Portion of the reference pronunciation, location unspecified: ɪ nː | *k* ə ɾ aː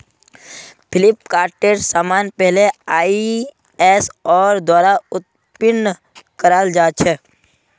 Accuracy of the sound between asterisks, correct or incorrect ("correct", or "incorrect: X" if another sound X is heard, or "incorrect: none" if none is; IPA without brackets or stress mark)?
correct